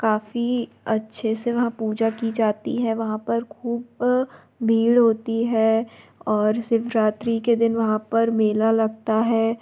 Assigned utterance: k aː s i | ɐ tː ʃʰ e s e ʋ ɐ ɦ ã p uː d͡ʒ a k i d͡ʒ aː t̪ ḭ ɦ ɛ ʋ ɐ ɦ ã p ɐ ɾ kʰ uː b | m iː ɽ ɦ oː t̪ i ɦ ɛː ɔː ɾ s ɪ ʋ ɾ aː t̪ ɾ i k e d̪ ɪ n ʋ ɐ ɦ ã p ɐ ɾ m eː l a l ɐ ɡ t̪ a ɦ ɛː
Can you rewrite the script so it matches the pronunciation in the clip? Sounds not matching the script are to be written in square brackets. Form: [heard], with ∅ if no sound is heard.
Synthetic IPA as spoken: k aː [f] i | ɐ tː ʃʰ e s e ʋ ɐ ɦ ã p uː d͡ʒ a k i d͡ʒ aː t̪ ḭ ɦ ɛ ʋ ɐ ɦ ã p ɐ ɾ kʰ uː b | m iː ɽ ɦ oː t̪ i ɦ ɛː ɔː ɾ s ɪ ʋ ɾ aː t̪ ɾ i k e d̪ ɪ n ʋ ɐ ɦ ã p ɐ ɾ m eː l a l ɐ ɡ t̪ a ɦ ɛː